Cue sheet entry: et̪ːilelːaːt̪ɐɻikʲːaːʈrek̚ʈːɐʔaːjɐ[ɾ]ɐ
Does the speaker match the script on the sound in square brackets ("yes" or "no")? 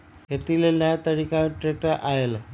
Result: no